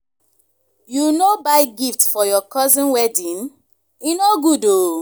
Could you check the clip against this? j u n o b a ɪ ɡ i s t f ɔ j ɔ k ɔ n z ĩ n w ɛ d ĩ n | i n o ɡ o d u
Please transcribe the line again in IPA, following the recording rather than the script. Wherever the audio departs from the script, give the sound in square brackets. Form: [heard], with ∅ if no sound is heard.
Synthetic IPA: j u n o b a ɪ ɡ i [f] t f ɔ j ɔ k ɔ [∅] z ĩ n w ɛ d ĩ n | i n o ɡ [u] d [o]